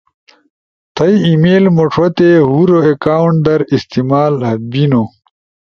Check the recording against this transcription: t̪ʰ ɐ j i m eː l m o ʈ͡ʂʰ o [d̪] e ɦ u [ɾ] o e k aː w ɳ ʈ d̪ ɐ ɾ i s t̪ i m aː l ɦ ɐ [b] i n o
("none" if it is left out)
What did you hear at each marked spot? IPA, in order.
t̪, ɾ, b

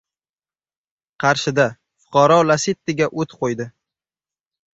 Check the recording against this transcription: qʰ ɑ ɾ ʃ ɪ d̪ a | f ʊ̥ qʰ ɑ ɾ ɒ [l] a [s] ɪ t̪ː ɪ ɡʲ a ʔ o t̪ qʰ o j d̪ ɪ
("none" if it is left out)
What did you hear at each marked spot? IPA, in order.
l, s

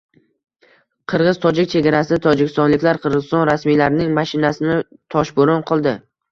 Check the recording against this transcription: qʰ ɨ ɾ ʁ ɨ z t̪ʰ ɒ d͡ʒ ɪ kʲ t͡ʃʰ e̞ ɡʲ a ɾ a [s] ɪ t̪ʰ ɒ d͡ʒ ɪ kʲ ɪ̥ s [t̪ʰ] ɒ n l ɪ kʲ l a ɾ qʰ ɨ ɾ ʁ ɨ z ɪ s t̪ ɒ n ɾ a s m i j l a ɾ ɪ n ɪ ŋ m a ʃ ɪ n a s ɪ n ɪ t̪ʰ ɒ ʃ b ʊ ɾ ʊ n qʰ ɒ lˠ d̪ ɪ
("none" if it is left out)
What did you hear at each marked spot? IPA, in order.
s, t̪

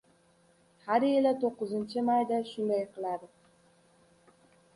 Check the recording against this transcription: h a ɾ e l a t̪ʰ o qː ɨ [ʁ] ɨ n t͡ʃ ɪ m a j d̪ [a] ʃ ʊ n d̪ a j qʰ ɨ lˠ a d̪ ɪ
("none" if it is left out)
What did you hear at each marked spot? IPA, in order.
z, a

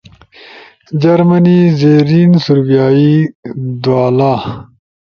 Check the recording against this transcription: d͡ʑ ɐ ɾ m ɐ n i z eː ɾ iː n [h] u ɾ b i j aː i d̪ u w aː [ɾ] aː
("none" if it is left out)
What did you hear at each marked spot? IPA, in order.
s, l

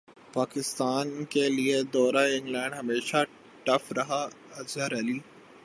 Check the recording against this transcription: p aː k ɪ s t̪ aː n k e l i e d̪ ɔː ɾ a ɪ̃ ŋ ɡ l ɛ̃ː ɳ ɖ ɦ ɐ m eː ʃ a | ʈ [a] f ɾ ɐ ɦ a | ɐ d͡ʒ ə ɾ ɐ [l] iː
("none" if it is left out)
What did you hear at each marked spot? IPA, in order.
ɐ, l

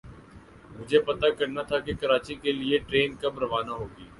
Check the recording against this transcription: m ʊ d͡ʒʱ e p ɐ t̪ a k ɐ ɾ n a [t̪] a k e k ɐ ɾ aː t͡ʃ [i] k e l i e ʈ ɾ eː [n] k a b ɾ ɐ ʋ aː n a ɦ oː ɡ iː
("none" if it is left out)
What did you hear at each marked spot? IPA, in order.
t̪ʰ, i, n

